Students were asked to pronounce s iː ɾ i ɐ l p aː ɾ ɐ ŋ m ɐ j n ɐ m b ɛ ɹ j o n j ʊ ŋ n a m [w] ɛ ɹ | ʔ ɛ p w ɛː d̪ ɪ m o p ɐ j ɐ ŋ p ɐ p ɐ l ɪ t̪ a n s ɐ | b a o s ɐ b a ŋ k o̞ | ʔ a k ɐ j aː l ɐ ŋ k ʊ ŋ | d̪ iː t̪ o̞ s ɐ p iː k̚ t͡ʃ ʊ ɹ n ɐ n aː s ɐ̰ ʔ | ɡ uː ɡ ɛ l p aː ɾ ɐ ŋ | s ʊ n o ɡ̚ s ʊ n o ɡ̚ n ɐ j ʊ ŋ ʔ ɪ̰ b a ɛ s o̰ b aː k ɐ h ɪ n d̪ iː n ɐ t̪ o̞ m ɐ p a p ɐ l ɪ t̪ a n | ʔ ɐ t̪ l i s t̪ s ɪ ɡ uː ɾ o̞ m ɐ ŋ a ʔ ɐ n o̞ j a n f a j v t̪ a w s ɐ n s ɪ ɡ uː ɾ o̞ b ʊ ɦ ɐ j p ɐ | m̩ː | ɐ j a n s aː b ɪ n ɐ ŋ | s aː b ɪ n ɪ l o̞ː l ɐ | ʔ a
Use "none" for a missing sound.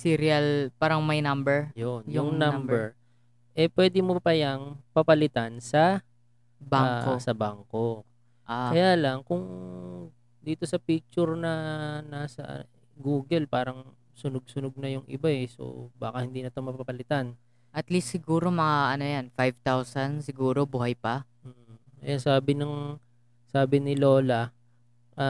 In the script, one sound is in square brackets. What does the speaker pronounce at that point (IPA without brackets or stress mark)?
b